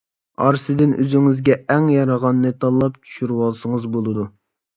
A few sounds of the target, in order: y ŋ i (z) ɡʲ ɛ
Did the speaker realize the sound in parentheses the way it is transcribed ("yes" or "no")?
yes